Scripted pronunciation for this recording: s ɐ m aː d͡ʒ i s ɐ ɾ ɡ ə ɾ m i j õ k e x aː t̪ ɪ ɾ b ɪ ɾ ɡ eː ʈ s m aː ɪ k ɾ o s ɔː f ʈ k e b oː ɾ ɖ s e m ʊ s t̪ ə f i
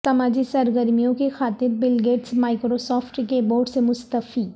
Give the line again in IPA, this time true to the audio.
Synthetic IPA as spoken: s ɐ m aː d͡ʒ i s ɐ ɾ ɡ ə ɾ m i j õ k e x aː t̪ ɪ ɾ b ɪ l ɡ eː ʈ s m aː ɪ k ɾ o s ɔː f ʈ k e b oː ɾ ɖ s e m ʊ s t̪ ə f i